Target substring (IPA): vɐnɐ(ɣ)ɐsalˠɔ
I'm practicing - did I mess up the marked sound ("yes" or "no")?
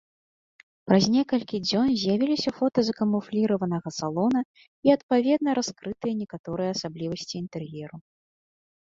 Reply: no